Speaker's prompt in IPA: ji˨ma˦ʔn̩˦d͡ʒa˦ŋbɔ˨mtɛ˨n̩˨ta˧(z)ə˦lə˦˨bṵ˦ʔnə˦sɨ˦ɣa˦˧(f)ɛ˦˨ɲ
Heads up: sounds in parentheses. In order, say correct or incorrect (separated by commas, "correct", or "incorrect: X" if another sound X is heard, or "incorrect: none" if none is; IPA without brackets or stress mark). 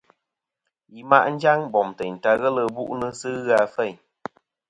incorrect: ɣ, correct